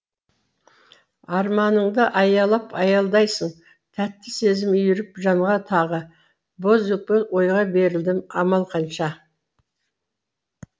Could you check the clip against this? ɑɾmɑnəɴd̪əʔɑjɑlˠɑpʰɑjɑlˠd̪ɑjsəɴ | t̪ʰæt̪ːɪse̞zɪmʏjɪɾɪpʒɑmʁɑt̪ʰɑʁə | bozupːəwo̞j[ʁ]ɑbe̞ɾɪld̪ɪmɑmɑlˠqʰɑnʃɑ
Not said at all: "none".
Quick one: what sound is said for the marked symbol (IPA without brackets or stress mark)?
ʁ